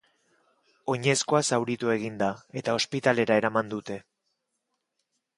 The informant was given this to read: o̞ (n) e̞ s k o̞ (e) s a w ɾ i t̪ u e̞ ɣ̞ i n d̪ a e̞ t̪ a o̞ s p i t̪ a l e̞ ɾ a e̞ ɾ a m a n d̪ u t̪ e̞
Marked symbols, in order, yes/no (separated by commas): no, no